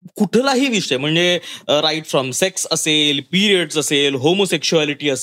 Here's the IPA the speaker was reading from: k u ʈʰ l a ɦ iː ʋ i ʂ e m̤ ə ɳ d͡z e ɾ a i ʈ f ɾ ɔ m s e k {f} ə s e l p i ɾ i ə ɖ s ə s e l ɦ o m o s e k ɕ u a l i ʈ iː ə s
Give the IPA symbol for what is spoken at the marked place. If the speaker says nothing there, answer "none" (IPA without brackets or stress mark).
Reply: s